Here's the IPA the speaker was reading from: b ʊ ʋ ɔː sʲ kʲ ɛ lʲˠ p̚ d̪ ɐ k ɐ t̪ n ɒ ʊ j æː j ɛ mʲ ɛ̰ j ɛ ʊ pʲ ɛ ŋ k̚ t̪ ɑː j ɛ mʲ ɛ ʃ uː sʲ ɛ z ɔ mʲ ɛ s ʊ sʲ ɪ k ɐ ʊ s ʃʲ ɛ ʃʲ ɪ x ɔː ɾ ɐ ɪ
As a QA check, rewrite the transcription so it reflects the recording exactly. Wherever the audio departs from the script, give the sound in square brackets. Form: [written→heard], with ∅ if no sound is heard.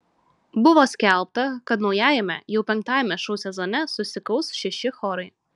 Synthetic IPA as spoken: b ʊ ʋ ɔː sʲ kʲ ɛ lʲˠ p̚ [d̪→t̪] ɐ k ɐ t̪ n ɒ ʊ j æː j ɛ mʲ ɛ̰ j ɛ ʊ pʲ ɛ ŋ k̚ t̪ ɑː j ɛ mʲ ɛ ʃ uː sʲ ɛ z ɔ [mʲ→nʲ] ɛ s ʊ sʲ ɪ k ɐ ʊ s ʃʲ ɛ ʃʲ ɪ x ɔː ɾ ɐ ɪ

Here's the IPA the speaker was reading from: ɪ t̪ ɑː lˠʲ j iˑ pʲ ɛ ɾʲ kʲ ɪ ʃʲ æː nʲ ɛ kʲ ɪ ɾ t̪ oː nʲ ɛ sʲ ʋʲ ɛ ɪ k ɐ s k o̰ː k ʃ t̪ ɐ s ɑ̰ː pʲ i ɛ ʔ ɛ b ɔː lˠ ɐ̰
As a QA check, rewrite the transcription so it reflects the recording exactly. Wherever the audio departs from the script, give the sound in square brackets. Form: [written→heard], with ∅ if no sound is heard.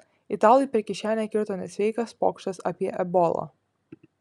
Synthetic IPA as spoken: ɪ t̪ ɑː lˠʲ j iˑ pʲ ɛ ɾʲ kʲ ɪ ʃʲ æː nʲ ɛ kʲ ɪ ɾ t̪ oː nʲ ɛ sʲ ʋʲ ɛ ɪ k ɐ s [k→p] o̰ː k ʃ t̪ ɐ s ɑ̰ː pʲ i ɛ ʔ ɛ b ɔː lˠ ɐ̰

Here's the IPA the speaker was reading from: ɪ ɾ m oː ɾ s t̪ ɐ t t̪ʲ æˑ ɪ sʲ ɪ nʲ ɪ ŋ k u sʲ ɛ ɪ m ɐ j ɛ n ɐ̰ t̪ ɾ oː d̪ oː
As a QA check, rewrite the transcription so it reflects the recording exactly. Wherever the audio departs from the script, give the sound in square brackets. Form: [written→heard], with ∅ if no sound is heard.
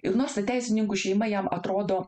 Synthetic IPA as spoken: ɪ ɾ [m→n] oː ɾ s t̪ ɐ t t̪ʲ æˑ ɪ sʲ ɪ nʲ ɪ ŋ k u [sʲ→ʃʲ] ɛ ɪ m ɐ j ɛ [n→m] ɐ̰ t̪ ɾ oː d̪ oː

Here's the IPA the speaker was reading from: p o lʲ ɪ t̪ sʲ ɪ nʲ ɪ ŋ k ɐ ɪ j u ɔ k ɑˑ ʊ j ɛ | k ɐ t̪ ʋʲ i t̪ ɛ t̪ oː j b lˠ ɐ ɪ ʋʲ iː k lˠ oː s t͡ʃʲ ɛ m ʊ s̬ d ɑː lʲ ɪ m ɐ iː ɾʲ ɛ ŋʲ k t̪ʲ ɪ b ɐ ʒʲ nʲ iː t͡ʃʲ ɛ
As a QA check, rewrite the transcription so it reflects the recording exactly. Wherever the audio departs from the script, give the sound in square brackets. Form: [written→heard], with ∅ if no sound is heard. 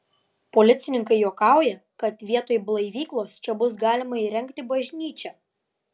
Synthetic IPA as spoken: p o lʲ ɪ t̪ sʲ ɪ nʲ ɪ ŋ k ɐ ɪ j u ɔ k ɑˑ ʊ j ɛ | k ɐ t̪ ʋʲ i [t̪→∅] ɛ t̪ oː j b lˠ ɐ ɪ ʋʲ iː k lˠ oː s t͡ʃʲ ɛ [m→b] ʊ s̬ [d→ɡ] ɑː lʲ ɪ m ɐ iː ɾʲ ɛ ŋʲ k t̪ʲ ɪ b ɐ ʒʲ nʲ iː t͡ʃʲ ɛ

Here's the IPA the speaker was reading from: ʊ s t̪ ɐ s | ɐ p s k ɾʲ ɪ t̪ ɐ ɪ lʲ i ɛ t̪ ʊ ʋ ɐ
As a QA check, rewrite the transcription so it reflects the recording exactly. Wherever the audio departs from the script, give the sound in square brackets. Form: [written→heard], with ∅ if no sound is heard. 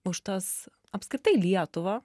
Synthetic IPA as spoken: ʊ [s→ʃ] t̪ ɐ s | ɐ p s k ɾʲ ɪ t̪ ɐ ɪ lʲ i ɛ t̪ ʊ ʋ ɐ

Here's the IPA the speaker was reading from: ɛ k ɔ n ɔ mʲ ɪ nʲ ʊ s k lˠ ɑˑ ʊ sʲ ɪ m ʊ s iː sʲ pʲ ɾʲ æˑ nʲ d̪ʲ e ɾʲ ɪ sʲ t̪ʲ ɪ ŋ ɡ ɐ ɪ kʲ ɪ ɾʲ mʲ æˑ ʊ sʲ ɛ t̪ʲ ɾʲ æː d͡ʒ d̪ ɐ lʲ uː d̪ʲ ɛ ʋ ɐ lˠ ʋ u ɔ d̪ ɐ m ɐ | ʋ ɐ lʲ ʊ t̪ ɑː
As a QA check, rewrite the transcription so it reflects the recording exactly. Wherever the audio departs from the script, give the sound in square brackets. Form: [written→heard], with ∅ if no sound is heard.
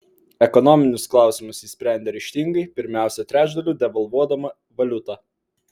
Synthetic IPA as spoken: ɛ k ɔ n ɔ mʲ ɪ nʲ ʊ s k lˠ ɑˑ ʊ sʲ ɪ m ʊ s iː sʲ pʲ ɾʲ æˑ nʲ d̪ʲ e ɾʲ ɪ [sʲ→ʃʲ] t̪ʲ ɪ ŋ ɡ ɐ ɪ [kʲ→pʲ] ɪ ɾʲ mʲ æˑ ʊ sʲ ɛ t̪ʲ ɾʲ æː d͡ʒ d̪ ɐ lʲ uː d̪ʲ ɛ ʋ ɐ lˠ ʋ u ɔ d̪ ɐ m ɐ | ʋ ɐ lʲ ʊ t̪ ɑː

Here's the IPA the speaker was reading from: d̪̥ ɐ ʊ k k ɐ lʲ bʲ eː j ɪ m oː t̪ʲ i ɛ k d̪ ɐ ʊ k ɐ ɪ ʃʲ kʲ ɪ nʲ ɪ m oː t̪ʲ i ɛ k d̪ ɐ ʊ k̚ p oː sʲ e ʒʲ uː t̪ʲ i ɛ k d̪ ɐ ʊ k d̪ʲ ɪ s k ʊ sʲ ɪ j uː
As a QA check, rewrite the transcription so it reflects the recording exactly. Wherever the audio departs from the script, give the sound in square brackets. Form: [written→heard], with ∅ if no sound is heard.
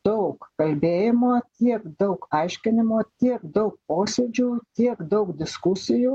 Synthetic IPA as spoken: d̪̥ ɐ ʊ k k ɐ lʲ bʲ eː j ɪ m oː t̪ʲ i ɛ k d̪ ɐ ʊ k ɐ ɪ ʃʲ kʲ ɪ nʲ ɪ m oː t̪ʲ i ɛ k d̪ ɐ ʊ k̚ p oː sʲ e [ʒʲ→d͡ʒʲ] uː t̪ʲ i ɛ k d̪ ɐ ʊ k d̪ʲ ɪ s k ʊ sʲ ɪ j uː

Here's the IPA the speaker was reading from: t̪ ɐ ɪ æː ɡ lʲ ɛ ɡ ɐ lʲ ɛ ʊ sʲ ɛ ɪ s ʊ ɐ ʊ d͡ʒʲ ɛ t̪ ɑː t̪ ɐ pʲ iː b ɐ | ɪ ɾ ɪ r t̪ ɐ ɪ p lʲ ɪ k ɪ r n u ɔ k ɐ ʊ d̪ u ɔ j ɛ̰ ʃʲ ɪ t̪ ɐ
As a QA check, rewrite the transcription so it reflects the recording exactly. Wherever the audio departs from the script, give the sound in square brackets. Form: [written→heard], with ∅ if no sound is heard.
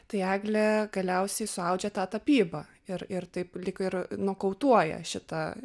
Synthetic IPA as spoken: t̪ ɐ ɪ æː ɡ lʲ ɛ ɡ ɐ lʲ ɛ ʊ sʲ ɛ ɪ s ʊ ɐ ʊ d͡ʒʲ ɛ t̪ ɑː t̪ ɐ pʲ iː b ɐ | ɪ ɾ ɪ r t̪ ɐ ɪ p lʲ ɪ k ɪ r n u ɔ k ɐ ʊ [d̪→t̪] u ɔ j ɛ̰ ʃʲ ɪ t̪ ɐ

